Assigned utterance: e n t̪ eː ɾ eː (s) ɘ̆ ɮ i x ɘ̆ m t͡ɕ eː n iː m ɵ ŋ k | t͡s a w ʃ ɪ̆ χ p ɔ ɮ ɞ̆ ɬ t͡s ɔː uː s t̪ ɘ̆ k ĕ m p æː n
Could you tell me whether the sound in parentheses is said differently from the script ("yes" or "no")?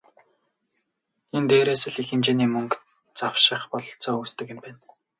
no